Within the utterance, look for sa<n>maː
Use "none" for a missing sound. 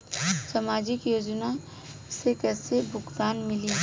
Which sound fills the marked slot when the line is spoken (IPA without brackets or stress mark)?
none